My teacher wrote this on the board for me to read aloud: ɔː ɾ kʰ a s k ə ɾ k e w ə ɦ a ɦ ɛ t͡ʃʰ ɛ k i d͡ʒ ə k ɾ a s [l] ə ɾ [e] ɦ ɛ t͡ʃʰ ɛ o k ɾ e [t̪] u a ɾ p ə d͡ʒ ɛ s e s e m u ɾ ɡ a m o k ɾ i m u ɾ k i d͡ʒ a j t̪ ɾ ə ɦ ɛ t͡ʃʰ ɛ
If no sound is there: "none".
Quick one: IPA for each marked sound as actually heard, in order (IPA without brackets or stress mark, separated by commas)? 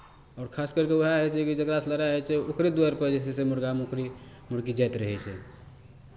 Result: l, a, d̪